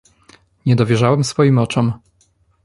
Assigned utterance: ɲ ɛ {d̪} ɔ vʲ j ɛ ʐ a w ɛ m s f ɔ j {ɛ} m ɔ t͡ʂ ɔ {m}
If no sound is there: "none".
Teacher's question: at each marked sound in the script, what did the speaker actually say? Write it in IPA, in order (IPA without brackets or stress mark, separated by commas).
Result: d̪, i, m